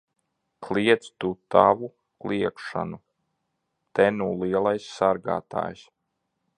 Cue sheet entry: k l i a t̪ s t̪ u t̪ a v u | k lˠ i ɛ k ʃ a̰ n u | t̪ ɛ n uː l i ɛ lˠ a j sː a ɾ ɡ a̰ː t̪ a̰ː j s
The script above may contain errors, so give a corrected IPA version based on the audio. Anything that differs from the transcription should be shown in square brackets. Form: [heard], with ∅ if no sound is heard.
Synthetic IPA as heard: k l i [ɛ] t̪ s t̪ u t̪ a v u | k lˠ i ɛ k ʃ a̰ n u | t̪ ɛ n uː l i ɛ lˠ a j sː a ɾ ɡ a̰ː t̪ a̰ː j s